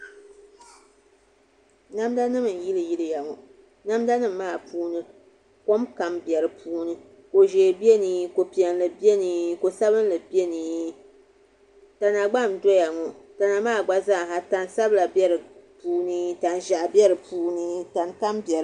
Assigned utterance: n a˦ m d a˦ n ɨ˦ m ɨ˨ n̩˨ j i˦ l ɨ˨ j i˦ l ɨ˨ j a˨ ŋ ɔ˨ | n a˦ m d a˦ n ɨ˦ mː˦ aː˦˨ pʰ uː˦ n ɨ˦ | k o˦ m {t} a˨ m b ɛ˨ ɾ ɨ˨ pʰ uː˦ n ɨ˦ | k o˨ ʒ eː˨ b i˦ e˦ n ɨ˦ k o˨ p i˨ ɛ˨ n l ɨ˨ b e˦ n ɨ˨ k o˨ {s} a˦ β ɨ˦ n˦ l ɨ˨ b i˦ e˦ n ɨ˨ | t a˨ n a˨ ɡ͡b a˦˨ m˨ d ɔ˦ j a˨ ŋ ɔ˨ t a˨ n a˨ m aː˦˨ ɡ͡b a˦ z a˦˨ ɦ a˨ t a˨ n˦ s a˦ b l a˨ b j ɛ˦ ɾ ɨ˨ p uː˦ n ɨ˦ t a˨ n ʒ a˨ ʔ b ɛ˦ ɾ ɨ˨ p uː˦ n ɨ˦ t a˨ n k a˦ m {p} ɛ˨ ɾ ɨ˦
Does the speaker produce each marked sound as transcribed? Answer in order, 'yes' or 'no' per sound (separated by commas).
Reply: no, yes, no